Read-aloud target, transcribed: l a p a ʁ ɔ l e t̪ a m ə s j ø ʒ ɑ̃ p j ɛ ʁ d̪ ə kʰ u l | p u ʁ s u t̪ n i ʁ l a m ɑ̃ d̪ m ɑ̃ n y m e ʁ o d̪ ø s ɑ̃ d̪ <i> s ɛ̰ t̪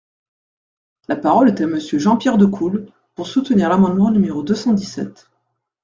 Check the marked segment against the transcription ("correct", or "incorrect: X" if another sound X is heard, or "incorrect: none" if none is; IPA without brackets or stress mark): correct